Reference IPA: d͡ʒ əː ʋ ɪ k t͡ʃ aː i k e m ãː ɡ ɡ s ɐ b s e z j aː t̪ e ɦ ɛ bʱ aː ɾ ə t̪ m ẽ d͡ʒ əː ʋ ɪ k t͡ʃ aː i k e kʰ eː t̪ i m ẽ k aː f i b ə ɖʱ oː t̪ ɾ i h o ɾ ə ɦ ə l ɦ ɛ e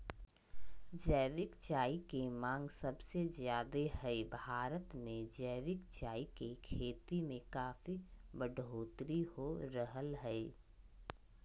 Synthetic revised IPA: d͡ʒ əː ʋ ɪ k t͡ʃ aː i k e m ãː ŋ ɡ s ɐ b s e z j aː d̪ e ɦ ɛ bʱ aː ɾ ə t̪ m ẽ d͡ʒ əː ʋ ɪ k t͡ʃ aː i k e kʰ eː t̪ i m ẽ k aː f i b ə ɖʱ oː t̪ ɾ i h o ɾ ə ɦ ə l ɦ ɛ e